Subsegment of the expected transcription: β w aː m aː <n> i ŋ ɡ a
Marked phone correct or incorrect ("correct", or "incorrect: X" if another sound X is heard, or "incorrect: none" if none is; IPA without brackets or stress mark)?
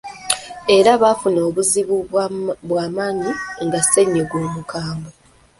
incorrect: ɲ